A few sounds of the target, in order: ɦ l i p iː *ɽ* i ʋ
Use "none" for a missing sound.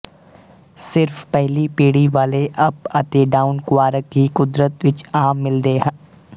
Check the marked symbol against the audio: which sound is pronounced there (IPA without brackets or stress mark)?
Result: ɽ